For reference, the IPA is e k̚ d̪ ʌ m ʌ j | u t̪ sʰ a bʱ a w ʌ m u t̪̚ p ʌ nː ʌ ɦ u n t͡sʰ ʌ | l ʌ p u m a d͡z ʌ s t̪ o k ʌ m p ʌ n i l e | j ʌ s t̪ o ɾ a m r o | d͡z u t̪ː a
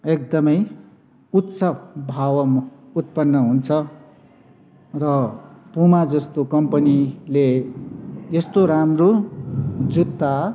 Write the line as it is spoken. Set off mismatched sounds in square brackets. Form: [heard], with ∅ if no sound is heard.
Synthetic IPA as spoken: e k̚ d̪ ʌ m ʌ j | u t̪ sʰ [ʌ] bʱ a w ʌ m u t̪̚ p ʌ nː ʌ ɦ u n t͡sʰ ʌ | [r] ʌ p u m a d͡z ʌ s t̪ o k ʌ m p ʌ n i l e | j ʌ s t̪ o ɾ a m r o | d͡z u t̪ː a